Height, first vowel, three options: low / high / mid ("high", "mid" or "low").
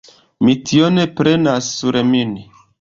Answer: high